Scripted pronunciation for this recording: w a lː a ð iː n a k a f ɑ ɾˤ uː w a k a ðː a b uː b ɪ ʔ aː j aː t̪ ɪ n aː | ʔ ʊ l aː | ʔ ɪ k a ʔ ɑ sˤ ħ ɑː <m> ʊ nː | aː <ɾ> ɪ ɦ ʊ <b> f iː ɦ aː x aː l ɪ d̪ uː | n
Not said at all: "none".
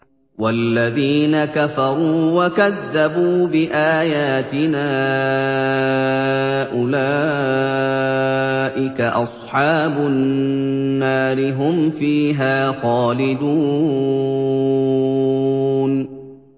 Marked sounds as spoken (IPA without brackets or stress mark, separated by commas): b, ɾ, m